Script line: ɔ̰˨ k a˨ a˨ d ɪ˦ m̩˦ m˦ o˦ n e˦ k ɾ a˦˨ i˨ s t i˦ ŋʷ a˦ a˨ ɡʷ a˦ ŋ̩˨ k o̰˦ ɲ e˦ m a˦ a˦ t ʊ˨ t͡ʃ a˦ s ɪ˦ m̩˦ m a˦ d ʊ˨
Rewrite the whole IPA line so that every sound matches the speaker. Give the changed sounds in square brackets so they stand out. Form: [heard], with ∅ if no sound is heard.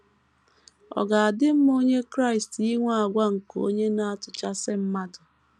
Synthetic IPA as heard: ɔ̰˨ [ɡ] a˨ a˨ d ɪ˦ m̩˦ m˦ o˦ [ɲ] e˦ k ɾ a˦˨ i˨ s t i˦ ŋʷ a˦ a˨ ɡʷ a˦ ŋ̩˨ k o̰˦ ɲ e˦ [n] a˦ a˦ t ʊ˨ t͡ʃ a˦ s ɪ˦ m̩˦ m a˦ d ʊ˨